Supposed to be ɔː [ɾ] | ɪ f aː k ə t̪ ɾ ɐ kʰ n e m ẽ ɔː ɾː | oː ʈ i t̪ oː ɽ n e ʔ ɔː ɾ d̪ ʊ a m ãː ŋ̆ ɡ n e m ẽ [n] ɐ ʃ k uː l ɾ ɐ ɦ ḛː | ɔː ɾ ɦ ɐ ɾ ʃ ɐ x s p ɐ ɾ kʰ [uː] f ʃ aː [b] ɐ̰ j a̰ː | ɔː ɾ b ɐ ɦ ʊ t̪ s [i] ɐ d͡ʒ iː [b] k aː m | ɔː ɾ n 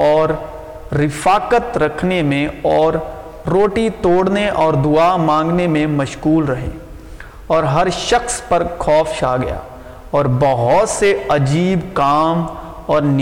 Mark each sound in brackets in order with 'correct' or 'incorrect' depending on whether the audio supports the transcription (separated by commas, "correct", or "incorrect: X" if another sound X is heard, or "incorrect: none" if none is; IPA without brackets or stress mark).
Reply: incorrect: ɾː, incorrect: m, incorrect: ɔː, incorrect: ɡ, incorrect: e, correct